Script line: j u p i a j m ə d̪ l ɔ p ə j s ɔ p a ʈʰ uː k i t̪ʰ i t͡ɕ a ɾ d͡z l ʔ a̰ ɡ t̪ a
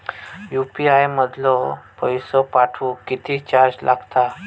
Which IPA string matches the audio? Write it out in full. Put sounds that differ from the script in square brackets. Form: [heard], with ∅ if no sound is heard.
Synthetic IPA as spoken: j u p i a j m ə d̪ l ɔ p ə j s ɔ p a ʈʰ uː k i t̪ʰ i t͡ɕ a ɾ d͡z l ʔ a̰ ɡ t̪ a

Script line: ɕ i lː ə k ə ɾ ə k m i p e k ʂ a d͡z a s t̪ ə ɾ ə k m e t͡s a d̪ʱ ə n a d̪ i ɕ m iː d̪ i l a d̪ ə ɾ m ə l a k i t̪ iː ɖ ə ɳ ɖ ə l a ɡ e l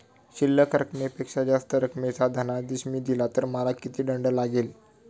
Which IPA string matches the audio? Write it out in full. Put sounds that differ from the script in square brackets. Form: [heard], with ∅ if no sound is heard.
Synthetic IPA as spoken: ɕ i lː ə k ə ɾ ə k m [e] p e k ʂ a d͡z a s t̪ ə ɾ ə k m e t͡s a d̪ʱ ə n a d̪ i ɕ m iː d̪ i l a [t̪] ə ɾ m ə l a k i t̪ iː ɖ ə ɳ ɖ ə l a ɡ e l

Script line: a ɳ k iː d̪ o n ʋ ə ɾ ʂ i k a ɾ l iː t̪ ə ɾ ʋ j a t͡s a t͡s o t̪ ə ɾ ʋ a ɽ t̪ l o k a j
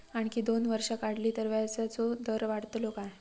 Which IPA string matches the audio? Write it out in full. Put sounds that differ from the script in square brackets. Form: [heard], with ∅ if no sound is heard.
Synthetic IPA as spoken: a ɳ k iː d̪ o n ʋ ə ɾ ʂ [a] k a [ɽ] l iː t̪ ə ɾ ʋ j a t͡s a t͡s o [d̪] ə ɾ ʋ a ɽ t̪ l o k a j

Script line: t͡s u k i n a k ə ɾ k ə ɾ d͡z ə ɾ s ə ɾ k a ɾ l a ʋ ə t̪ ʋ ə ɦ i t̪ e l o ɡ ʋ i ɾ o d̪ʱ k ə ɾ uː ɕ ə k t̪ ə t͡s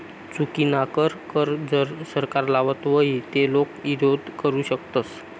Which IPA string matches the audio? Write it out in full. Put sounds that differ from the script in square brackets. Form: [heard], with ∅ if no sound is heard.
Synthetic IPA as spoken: t͡s u k i n a k ə ɾ k ə ɾ d͡z ə ɾ s ə ɾ k a ɾ l a ʋ ə t̪ ʋ ə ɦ i t̪ e l o [k] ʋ i ɾ o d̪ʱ k ə ɾ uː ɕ ə k t̪ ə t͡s

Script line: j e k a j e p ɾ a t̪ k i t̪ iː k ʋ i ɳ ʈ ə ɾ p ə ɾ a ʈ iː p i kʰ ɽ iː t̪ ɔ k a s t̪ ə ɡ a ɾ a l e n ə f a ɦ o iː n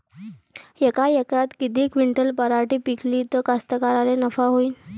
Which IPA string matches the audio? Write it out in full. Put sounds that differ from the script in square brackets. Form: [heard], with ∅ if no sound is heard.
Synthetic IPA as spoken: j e k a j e [k] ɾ a t̪ k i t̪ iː k ʋ i ɳ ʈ ə [l] p ə ɾ a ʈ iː p i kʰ [l] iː t̪ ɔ k a s t̪ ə [k] a ɾ a l e n ə f a ɦ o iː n

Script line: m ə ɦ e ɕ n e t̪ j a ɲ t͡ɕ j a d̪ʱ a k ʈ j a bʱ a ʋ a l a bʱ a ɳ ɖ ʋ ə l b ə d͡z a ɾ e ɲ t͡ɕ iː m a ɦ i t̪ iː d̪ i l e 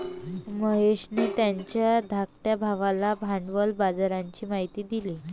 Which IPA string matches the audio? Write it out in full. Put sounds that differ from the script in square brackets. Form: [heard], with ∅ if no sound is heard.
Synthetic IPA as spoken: m ə ɦ e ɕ n e t̪ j a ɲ t͡ɕ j a d̪ʱ a k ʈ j a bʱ a ʋ a l a bʱ a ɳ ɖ ʋ ə l b [a] d͡z a ɾ [a] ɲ t͡ɕ iː m a ɦ i t̪ iː d̪ i l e

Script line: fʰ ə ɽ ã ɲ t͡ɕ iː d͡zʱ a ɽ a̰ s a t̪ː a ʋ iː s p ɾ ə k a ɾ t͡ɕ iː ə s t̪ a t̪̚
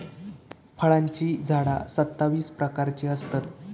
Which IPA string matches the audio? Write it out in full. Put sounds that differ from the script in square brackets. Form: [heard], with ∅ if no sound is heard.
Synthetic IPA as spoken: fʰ ə [ɭ] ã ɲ t͡ɕ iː d͡zʱ a ɽ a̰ s [ə] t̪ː a ʋ iː s p ɾ ə k a ɾ t͡ɕ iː ə s t̪ a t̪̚

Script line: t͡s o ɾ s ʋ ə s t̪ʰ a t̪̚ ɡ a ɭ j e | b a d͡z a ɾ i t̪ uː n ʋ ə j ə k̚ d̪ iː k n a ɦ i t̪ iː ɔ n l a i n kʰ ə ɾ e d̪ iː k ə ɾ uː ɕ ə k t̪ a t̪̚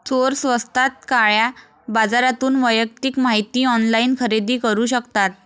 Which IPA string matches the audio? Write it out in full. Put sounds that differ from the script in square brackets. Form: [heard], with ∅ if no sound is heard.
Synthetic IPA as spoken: t͡s o ɾ s ʋ ə s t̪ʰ a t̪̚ [k] a ɭ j [a] | b a d͡z a ɾ [a] t̪ uː n ʋ ə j ə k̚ [t̪] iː k [m] a ɦ i t̪ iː ɔ n l a i n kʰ ə ɾ e d̪ iː k ə ɾ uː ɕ ə k t̪ a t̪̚

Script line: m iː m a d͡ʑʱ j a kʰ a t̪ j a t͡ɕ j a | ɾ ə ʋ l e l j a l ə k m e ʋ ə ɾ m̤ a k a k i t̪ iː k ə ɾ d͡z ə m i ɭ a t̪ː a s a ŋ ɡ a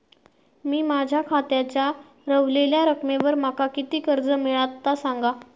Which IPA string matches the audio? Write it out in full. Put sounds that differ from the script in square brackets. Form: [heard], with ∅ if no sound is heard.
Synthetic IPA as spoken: m iː m a d͡ʑʱ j a kʰ a t̪ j a t͡ɕ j a | ɾ ə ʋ l e l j a [ɾ] ə k m e ʋ ə ɾ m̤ a k a k i t̪ iː k ə ɾ d͡z ə m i ɭ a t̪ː a s a ŋ ɡ a

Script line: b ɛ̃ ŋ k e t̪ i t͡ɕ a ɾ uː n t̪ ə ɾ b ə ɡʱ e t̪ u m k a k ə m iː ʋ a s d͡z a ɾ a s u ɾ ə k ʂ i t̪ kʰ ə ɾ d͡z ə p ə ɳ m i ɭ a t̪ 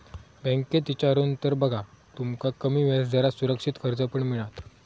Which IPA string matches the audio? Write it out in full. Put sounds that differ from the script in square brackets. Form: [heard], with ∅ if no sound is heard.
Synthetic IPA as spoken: b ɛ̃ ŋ k e t̪ i t͡ɕ a ɾ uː n t̪ ə ɾ b ə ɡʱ [a] t̪ u m k a k ə m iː ʋ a s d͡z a ɾ a s u ɾ ə k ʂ i t̪ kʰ ə ɾ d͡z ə p ə ɳ m i ɭ a t̪

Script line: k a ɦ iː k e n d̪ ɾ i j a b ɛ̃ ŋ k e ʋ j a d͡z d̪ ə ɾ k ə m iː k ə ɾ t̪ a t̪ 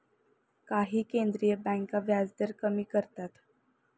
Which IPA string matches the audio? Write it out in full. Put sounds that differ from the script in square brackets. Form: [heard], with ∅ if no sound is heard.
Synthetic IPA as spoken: k a ɦ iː k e n d̪ ɾ i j [ə] b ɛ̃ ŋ k [a] ʋ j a d͡z d̪ ə ɾ k ə m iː k ə ɾ t̪ a t̪

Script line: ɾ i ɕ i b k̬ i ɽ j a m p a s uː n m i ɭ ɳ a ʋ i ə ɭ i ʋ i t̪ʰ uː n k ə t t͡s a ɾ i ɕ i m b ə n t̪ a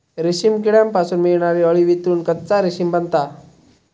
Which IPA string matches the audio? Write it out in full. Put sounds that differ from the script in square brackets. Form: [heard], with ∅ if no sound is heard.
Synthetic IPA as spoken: ɾ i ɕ i [m] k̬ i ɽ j a m p a s uː n m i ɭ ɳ a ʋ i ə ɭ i ʋ i [t̪] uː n k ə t t͡s a ɾ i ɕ i m b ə n t̪ a

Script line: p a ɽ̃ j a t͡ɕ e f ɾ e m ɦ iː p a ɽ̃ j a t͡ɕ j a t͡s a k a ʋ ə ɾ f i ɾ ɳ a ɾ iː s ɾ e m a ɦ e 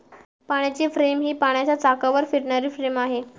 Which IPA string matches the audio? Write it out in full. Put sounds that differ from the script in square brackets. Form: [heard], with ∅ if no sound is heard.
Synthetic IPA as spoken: p a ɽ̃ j a t͡ɕ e f ɾ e m ɦ iː p a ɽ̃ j a t͡ɕ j a t͡s a k a ʋ ə ɾ f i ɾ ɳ a ɾ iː [f] ɾ e m a ɦ e

